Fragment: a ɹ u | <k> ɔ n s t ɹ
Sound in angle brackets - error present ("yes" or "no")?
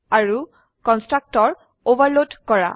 no